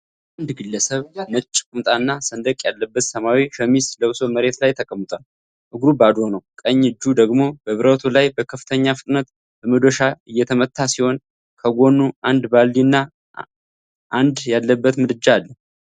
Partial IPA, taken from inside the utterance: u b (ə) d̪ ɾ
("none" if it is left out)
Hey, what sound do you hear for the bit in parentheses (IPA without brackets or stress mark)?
a